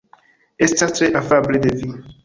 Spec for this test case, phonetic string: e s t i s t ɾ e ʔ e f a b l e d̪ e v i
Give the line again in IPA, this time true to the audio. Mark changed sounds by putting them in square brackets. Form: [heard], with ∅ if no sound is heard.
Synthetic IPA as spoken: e s t [a] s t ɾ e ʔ [a] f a b l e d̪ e v i